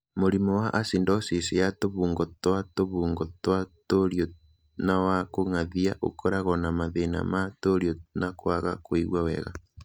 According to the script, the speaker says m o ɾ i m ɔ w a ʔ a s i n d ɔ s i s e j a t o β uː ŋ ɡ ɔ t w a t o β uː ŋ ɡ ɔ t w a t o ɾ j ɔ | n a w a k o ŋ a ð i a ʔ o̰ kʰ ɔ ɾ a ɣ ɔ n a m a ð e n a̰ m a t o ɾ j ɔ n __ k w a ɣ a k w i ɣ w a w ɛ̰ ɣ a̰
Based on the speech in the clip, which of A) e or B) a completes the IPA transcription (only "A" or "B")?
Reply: B